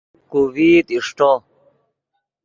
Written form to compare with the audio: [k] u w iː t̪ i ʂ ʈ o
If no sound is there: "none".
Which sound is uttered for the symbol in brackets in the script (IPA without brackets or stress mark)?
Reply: k